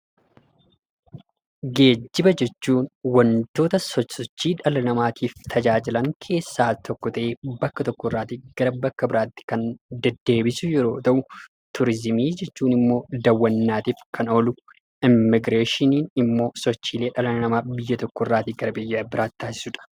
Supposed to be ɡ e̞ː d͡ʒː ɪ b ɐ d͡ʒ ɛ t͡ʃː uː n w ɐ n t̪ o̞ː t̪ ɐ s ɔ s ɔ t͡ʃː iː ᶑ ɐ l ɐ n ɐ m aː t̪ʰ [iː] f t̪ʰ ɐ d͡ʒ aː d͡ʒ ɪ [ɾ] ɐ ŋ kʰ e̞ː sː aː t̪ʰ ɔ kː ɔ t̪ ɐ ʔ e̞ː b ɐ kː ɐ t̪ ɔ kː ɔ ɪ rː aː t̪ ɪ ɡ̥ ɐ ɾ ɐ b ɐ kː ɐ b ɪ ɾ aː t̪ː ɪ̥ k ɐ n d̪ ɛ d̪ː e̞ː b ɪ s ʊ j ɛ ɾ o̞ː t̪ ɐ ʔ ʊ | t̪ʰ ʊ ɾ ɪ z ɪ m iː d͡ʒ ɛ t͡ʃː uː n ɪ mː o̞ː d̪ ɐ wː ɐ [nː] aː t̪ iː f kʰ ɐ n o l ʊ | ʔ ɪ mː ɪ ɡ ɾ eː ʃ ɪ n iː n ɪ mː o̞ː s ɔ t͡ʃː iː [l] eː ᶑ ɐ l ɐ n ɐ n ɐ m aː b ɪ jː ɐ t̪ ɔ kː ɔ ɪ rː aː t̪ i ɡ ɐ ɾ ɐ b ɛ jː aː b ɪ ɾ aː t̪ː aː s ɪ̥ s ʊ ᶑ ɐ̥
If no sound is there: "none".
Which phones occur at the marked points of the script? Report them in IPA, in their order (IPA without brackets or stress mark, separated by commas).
iː, l, nː, l